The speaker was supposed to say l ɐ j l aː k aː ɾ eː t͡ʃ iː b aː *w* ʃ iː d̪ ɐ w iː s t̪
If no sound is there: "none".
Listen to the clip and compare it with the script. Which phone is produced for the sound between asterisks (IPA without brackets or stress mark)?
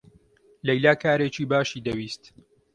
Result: none